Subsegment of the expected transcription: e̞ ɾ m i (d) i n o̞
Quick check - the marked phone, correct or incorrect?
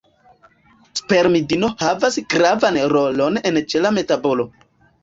correct